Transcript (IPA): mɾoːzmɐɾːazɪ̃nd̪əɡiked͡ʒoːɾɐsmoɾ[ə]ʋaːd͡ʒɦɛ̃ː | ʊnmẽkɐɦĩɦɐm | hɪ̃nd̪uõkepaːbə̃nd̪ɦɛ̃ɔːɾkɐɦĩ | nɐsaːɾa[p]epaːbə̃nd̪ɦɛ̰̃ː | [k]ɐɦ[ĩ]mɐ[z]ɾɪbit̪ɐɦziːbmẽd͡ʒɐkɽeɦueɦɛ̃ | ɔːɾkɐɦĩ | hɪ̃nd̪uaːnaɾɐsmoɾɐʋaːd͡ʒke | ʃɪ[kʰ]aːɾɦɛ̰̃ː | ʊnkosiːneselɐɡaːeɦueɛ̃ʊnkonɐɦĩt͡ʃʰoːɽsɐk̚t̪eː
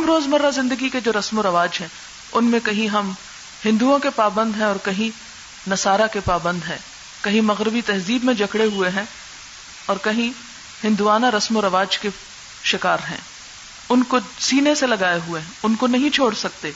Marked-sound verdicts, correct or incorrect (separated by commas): incorrect, incorrect, correct, correct, incorrect, incorrect